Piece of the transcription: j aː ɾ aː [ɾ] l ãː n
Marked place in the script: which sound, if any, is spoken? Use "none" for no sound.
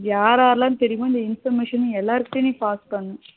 ɾ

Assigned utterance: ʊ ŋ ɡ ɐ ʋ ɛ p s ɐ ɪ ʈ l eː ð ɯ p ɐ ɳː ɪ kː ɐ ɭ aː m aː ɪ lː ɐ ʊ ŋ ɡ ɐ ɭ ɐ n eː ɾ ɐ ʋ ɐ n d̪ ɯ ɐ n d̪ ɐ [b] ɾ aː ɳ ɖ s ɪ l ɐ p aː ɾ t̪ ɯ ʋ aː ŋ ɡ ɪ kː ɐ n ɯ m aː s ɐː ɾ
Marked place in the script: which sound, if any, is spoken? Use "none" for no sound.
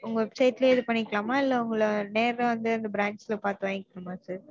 b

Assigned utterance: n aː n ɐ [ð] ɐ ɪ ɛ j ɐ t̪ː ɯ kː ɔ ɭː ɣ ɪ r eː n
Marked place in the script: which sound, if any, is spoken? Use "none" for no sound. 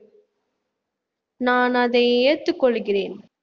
ð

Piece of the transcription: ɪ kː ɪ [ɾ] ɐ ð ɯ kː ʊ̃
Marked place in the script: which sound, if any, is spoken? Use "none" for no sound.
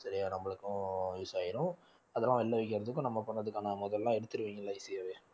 ɾ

